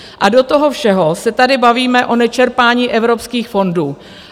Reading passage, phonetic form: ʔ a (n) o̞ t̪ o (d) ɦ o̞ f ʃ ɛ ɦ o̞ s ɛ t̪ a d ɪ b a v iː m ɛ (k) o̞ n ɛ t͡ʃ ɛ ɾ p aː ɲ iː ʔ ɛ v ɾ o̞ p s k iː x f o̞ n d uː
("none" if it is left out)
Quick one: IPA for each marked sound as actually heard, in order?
d, none, ʔ

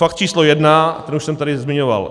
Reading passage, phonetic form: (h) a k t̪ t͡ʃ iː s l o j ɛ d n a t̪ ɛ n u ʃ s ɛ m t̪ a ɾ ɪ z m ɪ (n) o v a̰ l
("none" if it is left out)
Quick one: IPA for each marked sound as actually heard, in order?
f, ɲ

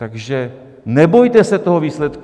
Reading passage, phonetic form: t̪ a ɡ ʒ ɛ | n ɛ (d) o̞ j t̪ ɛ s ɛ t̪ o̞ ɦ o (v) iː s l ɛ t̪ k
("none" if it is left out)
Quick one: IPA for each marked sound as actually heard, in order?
b, v

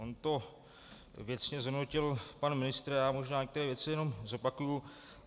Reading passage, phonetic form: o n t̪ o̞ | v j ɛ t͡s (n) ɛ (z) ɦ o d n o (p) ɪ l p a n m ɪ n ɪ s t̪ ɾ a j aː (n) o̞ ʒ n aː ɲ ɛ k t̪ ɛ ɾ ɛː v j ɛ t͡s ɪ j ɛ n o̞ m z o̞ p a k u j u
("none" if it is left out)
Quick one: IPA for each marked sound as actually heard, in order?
ɲ, z, c, m

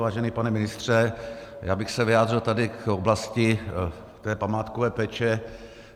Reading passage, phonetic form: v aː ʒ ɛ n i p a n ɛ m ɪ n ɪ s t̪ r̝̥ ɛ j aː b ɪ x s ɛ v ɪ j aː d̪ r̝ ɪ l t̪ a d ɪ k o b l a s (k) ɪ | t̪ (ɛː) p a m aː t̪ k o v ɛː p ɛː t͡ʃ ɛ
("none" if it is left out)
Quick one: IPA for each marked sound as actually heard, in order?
c, ɛː

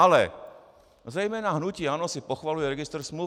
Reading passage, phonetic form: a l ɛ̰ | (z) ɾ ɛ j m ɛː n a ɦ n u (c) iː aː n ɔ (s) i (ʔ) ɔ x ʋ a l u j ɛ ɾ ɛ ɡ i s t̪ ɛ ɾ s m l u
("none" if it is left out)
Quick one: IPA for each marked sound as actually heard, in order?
z, c, s, p

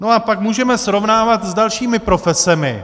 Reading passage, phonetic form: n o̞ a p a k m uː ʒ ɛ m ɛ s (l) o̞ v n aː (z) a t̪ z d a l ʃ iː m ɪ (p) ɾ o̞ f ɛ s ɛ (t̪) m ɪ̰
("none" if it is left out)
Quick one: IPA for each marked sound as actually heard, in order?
ɾ, v, p, none

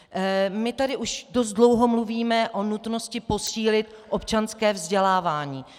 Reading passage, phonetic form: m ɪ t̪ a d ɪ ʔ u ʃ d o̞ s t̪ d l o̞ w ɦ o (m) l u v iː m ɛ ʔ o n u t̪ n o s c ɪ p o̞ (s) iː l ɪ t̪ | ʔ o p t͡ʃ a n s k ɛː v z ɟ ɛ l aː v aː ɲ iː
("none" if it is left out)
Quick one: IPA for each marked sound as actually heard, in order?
m, s

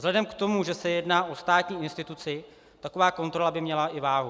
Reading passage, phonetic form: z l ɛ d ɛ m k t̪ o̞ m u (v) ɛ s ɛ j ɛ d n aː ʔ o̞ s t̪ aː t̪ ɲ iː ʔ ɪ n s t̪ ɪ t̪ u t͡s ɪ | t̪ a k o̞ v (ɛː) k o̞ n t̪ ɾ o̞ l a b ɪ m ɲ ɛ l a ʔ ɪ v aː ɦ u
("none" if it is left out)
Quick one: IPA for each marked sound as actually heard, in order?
ʒ, aː

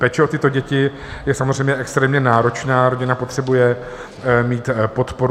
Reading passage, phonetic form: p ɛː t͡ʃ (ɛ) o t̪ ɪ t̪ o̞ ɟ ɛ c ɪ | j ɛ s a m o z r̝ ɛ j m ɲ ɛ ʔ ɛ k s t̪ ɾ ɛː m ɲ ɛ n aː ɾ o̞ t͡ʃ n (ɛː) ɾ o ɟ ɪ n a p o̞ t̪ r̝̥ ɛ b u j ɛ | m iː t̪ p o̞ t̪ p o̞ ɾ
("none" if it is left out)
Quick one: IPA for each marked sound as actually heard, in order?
ɛ, aː

